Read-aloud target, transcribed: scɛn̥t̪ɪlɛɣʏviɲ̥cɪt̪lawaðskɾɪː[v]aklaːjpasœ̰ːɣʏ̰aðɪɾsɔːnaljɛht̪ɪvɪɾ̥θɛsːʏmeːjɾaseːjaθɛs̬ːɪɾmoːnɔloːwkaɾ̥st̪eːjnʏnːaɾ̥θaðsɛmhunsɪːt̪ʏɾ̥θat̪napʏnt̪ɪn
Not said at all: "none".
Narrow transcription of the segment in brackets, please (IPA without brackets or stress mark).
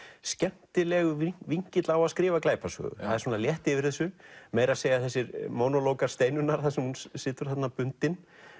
v